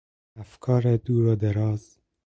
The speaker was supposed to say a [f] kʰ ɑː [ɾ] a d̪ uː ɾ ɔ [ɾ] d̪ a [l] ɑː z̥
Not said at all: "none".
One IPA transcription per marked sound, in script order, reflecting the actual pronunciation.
f, ɾ, none, ɾ

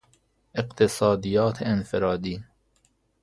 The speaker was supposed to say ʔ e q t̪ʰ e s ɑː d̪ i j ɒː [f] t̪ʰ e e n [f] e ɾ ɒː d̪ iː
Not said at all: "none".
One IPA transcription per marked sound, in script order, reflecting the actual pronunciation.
none, f

